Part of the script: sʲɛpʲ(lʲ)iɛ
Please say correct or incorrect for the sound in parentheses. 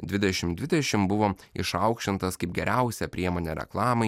incorrect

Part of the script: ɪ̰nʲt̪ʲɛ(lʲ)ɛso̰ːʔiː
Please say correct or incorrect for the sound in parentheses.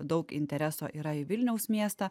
incorrect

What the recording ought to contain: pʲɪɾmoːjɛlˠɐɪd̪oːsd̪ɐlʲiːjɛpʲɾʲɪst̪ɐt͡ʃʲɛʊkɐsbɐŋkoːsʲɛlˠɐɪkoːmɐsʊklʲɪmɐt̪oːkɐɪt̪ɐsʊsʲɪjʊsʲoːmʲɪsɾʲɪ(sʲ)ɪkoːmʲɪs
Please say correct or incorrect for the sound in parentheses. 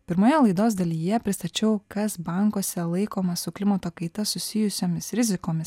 incorrect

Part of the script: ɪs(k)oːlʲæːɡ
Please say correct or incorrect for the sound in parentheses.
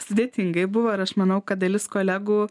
correct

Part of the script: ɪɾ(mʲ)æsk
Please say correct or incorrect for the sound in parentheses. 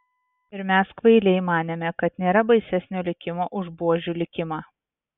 correct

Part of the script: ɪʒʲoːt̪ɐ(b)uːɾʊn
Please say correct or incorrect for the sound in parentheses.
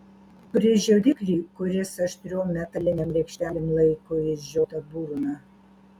correct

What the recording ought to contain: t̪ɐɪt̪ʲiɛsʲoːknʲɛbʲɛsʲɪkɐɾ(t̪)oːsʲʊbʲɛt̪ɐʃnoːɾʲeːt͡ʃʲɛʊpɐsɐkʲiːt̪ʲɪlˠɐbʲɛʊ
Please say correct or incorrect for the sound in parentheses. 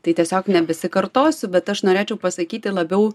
correct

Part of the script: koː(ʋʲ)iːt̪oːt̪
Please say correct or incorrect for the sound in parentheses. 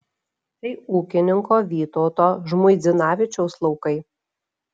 correct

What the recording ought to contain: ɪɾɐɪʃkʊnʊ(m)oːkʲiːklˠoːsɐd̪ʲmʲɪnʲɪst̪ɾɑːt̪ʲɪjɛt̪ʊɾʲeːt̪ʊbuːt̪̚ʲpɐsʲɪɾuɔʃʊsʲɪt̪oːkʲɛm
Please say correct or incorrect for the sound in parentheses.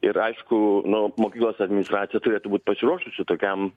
correct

